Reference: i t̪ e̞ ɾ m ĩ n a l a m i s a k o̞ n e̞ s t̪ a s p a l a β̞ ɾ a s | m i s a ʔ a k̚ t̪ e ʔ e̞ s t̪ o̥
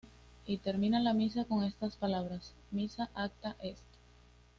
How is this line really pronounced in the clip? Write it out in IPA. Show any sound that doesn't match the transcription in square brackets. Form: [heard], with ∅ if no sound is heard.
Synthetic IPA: i t̪ e̞ ɾ m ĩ n a l a m i s a k o̞ [ŋ] e̞ s t̪ a s p a l a β̞ ɾ a s | m i s a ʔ a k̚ t̪ [a] ʔ e̞ s t̪ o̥